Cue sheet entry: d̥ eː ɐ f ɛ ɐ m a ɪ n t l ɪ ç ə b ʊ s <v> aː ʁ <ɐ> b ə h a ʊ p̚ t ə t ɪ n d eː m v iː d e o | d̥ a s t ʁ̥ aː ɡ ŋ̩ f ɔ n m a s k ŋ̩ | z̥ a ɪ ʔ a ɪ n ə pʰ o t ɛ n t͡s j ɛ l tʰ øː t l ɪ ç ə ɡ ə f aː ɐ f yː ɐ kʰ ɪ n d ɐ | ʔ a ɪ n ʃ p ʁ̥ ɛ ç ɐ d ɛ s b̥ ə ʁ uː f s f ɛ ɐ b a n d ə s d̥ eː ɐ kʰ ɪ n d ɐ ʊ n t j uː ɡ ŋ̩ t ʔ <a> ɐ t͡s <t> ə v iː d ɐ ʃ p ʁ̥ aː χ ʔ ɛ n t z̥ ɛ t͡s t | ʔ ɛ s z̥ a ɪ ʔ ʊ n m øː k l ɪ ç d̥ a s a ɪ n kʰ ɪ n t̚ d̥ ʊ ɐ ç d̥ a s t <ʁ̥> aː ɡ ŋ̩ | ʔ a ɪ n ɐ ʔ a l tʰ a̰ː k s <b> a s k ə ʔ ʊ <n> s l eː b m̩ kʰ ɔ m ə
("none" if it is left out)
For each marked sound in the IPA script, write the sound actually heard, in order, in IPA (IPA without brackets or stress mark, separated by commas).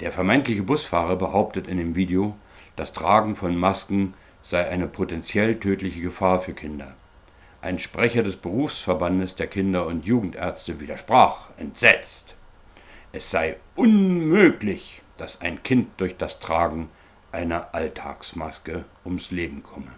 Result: f, ɐ, ɛ, t, ʁ̥, m, m